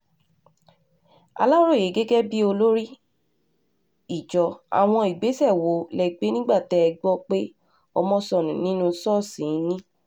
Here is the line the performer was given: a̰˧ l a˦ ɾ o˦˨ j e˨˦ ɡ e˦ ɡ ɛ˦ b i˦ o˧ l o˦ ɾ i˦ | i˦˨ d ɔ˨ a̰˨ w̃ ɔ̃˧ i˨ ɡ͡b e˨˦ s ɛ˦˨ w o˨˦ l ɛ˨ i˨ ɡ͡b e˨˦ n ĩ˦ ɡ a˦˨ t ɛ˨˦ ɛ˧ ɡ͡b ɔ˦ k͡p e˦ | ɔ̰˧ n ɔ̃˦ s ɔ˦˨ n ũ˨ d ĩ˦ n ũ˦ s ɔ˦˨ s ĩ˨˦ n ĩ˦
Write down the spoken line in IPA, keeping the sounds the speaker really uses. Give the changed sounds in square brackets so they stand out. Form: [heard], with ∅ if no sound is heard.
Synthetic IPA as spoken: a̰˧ l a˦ ɾ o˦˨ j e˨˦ ɡ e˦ ɡ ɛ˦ b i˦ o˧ l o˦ ɾ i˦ | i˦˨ [d͡ʒ] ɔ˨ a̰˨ w̃ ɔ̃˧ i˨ ɡ͡b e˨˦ s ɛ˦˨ w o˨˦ l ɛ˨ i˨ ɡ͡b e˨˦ n ĩ˦ [ɡ͡b] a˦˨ t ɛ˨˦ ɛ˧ ɡ͡b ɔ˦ k͡p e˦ | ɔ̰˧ [m] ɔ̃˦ s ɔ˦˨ n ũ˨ [n] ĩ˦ n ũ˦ s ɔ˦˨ s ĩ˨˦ n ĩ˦

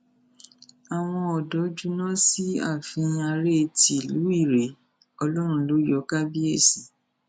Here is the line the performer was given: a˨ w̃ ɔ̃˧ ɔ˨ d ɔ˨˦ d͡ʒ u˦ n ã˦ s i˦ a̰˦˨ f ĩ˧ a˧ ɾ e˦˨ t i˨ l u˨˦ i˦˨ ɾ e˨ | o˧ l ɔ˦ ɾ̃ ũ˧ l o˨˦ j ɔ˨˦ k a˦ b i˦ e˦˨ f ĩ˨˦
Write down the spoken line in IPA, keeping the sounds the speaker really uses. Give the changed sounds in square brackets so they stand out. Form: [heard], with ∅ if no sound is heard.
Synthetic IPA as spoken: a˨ w̃ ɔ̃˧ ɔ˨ d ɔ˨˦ d͡ʒ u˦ n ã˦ s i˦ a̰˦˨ f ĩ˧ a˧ ɾ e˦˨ t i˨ l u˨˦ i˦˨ ɾ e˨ | [ɔ˧] l ɔ˦ ɾ̃ ũ˧ l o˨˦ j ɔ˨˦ k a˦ b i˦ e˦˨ [s] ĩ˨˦

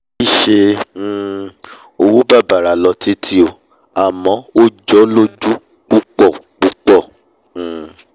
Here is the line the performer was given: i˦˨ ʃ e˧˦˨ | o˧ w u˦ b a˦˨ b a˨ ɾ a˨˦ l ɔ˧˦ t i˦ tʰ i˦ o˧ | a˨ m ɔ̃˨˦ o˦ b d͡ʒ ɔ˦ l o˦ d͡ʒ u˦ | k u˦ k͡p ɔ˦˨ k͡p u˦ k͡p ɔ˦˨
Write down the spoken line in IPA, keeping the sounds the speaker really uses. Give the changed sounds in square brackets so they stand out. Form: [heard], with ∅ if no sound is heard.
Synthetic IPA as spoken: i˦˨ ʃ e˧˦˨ | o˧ w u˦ b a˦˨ b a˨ ɾ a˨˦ l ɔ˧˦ t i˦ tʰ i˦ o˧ | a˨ m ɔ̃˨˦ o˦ [∅] d͡ʒ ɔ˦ l o˦ d͡ʒ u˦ | [k͡p] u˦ k͡p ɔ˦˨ k͡p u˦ k͡p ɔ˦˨

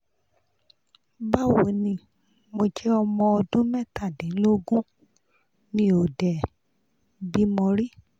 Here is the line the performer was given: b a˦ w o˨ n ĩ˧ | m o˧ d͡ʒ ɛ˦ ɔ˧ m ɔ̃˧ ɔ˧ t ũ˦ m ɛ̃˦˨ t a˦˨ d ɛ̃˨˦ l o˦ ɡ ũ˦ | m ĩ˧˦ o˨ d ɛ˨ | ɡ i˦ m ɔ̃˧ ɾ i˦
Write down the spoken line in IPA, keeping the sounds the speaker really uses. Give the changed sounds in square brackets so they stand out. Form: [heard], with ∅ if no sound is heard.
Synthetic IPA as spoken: b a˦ w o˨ n ĩ˧ | m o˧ d͡ʒ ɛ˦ ɔ˧ m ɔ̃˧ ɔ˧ [d] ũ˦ m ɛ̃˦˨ t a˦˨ d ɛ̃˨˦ l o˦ ɡ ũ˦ | [n] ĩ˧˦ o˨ d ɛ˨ | [b] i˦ m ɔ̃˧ ɾ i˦

